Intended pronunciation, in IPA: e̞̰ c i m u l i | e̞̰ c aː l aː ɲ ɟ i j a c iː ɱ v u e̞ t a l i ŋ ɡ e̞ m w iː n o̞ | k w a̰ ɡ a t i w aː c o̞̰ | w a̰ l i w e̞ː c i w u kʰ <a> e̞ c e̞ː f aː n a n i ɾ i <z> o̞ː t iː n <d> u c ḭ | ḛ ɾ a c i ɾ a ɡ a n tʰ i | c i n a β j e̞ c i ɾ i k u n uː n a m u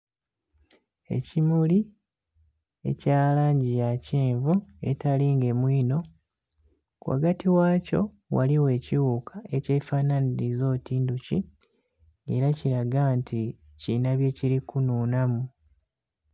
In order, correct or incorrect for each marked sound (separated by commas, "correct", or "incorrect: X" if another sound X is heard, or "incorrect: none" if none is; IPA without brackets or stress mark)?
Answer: correct, correct, correct